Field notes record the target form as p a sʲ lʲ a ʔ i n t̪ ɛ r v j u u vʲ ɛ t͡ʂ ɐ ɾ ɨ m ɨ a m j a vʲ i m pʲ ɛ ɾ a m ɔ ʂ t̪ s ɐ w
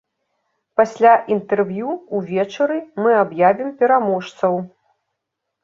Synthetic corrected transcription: p a sʲ lʲ a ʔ i n t̪ ɛ r v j u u vʲ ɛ t͡ʂ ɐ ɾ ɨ m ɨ a b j a vʲ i m pʲ ɛ ɾ a m ɔ ʂ t̪ s ɐ w